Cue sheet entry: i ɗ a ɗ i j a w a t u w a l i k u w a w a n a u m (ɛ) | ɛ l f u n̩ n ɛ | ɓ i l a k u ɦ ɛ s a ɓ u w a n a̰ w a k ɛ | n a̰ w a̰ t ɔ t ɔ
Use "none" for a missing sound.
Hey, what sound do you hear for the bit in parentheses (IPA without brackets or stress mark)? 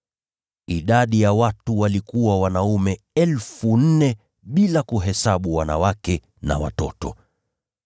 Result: ɛ